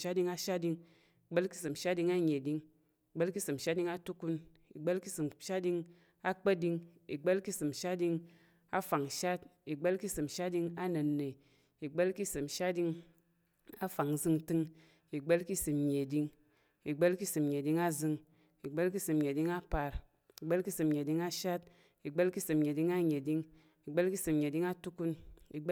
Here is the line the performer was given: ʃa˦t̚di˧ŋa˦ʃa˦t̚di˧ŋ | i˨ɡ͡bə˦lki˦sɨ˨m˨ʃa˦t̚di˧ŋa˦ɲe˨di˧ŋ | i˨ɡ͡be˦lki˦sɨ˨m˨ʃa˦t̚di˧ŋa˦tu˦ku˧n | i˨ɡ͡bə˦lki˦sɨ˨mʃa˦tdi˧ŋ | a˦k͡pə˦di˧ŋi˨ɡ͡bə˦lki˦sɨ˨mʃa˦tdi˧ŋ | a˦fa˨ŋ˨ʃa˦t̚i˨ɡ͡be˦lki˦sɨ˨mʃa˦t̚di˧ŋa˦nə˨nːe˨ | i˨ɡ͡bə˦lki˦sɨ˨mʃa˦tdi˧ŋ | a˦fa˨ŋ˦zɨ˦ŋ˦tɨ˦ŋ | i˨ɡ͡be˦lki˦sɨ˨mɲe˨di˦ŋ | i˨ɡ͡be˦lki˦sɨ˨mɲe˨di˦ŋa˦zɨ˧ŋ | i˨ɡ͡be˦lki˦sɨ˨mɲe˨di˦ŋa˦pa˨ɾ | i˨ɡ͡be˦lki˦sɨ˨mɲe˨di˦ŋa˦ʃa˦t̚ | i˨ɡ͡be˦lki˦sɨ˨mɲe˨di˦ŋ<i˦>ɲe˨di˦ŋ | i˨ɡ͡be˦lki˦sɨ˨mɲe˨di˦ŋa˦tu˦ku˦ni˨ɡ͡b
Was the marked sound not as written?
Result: yes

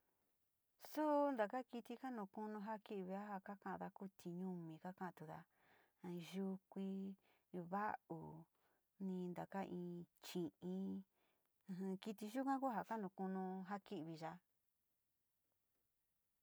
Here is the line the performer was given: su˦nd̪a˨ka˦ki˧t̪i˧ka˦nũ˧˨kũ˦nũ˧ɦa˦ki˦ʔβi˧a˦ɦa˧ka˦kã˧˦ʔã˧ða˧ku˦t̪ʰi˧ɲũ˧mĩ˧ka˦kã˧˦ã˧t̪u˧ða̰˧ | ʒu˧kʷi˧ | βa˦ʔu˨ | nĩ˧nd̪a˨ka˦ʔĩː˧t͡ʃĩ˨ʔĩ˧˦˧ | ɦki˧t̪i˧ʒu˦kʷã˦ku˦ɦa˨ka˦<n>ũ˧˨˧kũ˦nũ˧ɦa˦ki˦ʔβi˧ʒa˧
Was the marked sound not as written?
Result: no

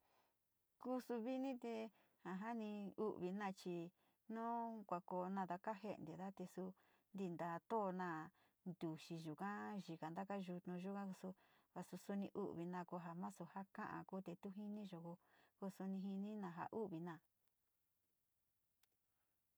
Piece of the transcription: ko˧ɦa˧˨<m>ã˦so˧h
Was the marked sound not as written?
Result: no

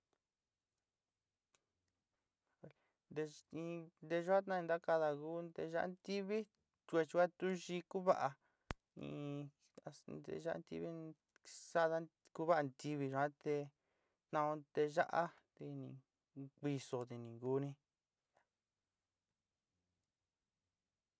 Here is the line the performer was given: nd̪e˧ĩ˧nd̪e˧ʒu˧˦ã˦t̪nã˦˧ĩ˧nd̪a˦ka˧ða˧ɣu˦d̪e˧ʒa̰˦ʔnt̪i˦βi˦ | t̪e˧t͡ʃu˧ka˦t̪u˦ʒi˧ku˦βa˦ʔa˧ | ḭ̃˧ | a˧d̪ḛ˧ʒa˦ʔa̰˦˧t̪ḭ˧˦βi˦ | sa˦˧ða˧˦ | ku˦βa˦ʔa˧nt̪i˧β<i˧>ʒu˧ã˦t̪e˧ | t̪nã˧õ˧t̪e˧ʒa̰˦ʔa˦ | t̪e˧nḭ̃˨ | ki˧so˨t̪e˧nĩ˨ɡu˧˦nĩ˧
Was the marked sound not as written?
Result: no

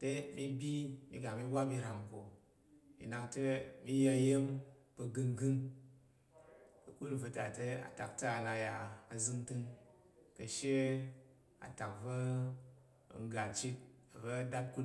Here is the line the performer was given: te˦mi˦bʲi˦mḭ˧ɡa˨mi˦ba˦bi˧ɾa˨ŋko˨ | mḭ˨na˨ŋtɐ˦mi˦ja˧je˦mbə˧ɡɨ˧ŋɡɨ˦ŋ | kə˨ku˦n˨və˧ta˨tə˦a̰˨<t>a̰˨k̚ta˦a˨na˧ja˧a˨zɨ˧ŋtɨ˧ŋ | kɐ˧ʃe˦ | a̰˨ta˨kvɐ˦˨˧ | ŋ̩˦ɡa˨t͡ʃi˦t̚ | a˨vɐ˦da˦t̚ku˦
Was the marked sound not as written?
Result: no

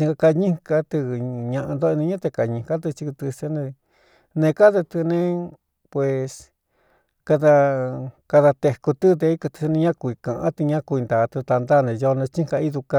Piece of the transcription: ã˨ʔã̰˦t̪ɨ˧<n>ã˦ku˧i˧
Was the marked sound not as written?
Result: yes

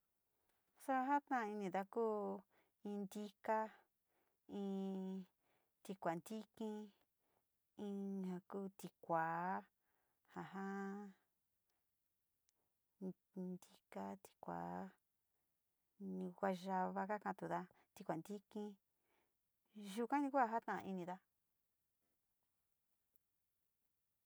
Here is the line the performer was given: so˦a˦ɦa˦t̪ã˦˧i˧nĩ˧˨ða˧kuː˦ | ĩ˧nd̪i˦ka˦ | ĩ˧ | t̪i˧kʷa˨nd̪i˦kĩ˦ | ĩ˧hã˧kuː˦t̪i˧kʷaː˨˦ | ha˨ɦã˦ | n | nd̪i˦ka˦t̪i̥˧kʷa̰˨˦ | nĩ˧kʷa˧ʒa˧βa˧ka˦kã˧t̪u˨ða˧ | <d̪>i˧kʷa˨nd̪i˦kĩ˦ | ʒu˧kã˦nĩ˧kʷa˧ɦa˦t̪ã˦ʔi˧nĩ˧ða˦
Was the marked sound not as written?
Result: yes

